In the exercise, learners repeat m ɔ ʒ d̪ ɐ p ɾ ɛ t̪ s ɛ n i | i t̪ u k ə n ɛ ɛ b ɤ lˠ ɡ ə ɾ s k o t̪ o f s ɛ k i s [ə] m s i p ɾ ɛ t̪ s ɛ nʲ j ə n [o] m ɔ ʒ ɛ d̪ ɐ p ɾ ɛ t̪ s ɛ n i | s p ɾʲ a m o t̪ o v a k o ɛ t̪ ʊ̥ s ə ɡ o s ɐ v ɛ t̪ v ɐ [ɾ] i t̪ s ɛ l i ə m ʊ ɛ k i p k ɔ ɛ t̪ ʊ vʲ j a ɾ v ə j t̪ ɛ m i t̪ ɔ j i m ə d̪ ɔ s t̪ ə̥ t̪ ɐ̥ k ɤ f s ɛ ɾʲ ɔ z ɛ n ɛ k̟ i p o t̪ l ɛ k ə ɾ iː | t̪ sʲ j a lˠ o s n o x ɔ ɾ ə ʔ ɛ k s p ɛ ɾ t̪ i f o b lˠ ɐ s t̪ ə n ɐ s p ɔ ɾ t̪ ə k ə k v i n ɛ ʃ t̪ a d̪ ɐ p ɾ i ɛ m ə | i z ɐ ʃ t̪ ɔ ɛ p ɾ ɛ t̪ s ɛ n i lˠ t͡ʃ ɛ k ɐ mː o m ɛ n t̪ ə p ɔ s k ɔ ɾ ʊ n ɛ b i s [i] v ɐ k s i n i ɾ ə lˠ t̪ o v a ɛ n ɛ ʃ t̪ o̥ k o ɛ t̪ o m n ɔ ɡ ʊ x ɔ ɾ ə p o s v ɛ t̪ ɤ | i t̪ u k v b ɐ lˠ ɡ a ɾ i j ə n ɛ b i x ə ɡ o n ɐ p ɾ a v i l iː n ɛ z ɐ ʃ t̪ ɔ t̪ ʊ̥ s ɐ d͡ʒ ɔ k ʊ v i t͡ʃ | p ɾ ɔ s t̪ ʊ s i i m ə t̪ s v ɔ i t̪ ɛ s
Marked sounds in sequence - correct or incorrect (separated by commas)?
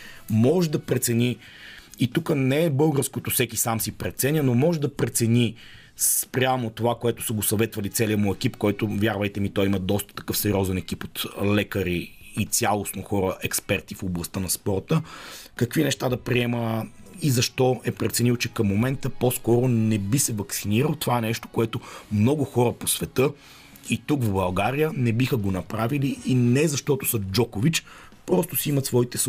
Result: incorrect, correct, incorrect, incorrect